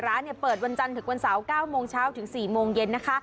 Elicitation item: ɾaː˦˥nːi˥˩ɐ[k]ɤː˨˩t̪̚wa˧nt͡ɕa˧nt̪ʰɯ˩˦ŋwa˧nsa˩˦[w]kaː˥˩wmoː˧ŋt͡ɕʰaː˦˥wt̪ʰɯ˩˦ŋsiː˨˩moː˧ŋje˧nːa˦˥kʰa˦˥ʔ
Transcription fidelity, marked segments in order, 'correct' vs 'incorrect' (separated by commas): incorrect, correct